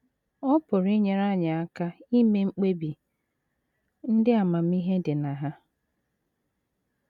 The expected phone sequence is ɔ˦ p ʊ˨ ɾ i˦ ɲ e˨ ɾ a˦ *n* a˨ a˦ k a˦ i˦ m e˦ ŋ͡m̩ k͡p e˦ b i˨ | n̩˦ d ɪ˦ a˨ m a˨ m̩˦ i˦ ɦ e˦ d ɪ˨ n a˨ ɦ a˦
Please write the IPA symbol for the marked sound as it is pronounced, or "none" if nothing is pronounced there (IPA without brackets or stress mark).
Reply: ɲ